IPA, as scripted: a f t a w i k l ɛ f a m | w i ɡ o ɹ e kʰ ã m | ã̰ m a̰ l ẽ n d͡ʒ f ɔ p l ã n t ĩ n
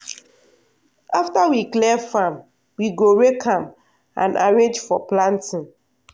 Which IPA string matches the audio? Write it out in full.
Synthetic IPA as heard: a f t a w i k l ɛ f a m | w i ɡ o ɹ e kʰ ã m | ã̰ n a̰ ɹ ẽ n d͡ʒ f ɔ p l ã n t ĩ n